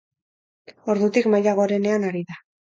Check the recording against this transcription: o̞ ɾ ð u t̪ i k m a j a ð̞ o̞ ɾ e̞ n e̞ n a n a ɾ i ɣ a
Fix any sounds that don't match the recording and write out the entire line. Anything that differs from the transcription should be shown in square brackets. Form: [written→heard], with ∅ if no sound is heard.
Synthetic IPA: o̞ ɾ ð u t̪ i k m a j a [ð̞→ɣ̞] o̞ ɾ e̞ n e̞ [n→∅] a n a ɾ i [ɣ→ð] a